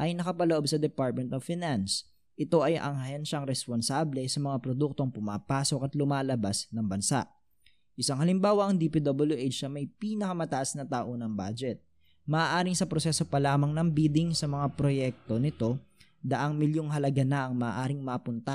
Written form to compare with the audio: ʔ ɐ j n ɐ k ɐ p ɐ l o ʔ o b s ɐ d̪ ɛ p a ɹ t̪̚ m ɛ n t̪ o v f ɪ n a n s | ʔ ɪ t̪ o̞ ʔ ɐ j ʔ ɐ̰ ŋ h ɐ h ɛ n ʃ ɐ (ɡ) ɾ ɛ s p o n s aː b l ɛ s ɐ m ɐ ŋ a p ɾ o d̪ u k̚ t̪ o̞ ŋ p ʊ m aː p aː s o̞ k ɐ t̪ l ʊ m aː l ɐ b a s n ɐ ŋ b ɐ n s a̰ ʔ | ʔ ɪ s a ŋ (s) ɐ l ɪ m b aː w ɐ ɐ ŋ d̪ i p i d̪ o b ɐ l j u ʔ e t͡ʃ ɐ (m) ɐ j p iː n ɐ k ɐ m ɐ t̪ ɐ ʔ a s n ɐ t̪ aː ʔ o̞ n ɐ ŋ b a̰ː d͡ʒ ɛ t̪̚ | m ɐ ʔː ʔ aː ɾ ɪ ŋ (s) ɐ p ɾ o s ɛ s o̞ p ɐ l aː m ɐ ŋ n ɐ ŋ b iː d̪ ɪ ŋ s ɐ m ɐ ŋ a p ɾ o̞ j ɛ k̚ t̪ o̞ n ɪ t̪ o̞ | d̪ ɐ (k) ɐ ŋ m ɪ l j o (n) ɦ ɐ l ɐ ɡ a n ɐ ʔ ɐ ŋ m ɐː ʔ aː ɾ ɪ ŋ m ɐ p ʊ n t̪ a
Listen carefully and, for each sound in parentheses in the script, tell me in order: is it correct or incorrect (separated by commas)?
incorrect, incorrect, correct, correct, incorrect, incorrect